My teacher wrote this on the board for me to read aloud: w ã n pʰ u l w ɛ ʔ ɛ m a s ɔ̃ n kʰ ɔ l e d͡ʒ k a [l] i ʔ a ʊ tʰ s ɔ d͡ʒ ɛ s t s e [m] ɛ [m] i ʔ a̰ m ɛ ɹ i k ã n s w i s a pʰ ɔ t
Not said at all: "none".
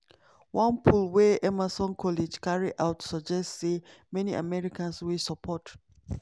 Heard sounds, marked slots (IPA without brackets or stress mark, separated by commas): ɹ, m, n